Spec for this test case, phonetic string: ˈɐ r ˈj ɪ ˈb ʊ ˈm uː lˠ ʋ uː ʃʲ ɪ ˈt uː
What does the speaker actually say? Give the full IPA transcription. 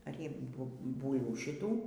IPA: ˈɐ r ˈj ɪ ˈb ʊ ˈb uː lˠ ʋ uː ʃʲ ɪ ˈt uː